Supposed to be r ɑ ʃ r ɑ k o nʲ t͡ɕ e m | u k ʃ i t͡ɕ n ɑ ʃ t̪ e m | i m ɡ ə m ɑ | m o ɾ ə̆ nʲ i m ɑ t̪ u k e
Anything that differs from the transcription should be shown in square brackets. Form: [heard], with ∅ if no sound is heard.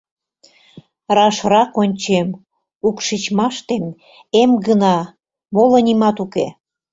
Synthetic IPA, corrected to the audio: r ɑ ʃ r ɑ k o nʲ t͡ɕ e m | u k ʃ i t͡ɕ [m] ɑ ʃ t̪ e m | [e] m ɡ ə [n] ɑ | m o [l] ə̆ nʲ i m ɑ t̪ u k e

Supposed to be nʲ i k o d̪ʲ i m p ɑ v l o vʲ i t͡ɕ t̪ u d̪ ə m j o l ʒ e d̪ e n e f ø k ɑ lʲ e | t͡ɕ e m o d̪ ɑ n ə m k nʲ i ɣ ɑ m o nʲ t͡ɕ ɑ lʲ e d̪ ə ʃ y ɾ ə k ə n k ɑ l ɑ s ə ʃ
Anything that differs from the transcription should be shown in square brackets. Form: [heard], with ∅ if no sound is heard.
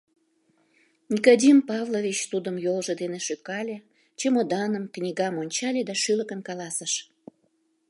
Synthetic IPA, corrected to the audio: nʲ i k o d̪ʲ i m p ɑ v l o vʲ i t͡ɕ t̪ u d̪ ə m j o l ʒ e d̪ e n e [ʃ] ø k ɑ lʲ e | t͡ɕ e m o d̪ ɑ n ə m k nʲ i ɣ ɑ m o nʲ t͡ɕ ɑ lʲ e d̪ [ɑ] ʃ y [l] ə k ə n k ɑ l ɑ s ə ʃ

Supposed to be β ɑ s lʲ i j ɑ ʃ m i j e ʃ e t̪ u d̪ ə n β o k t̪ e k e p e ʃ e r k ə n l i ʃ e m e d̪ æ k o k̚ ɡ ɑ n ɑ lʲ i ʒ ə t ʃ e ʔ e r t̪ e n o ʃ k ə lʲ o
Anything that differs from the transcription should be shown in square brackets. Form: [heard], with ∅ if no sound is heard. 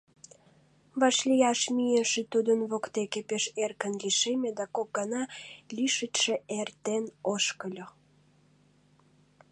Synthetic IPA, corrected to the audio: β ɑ [ʃ] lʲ i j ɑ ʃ m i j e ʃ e t̪ u d̪ ə n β o k t̪ e k e p e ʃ e r k ə n l i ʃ e m e d̪ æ k o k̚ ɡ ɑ n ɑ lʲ i [ʃ] ə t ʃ e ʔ e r t̪ e n o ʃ k ə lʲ o

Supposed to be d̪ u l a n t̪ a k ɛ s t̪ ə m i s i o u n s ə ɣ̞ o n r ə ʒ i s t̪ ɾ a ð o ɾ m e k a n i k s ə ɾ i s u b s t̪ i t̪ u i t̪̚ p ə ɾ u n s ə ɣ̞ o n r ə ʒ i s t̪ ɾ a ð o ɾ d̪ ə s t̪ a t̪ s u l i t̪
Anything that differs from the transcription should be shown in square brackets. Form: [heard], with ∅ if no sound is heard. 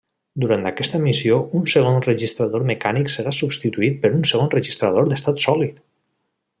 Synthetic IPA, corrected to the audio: d̪ u [ɾ] a n t̪ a k ɛ s t̪ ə m i s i o u n s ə ɣ̞ o n r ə ʒ i s t̪ ɾ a ð o ɾ m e k a n i k s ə ɾ [a] s u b s t̪ i t̪ u i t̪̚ p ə ɾ u n s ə ɣ̞ o n r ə ʒ i s t̪ ɾ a ð o ɾ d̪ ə s t̪ a t̪ s [ɔ] l i t̪

